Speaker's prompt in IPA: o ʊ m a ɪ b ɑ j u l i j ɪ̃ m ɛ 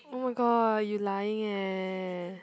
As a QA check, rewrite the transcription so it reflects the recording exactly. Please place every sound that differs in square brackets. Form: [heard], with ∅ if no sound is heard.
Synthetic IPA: o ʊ m a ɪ [ɡ] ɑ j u l [a] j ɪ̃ [ŋ] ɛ